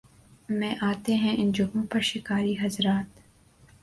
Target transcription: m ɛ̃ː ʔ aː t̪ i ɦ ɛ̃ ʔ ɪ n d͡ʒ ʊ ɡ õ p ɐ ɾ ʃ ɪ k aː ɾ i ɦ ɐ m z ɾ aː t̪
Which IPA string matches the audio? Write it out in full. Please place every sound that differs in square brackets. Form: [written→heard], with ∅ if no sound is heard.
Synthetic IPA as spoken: m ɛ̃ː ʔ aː t̪ [i→e] ɦ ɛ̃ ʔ ɪ n d͡ʒ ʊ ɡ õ p ɐ ɾ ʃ ɪ k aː ɾ i ɦ ɐ [m→∅] z ɾ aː t̪